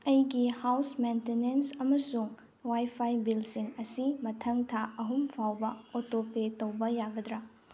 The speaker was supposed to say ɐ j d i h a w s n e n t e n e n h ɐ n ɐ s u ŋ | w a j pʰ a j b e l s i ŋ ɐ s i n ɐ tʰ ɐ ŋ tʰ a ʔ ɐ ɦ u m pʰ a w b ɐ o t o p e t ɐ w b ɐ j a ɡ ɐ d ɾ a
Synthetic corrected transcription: ɐ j ɡ i h a w s m e n t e n e n s ɐ m ɐ s u ŋ | w a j pʰ a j b i l s i ŋ ɐ s i m ɐ tʰ ɐ ŋ tʰ a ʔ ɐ ɦ u m pʰ a w b ɐ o t o p e t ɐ w b ɐ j a ɡ ɐ d ɾ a